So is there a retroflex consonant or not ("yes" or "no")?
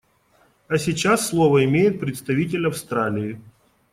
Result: no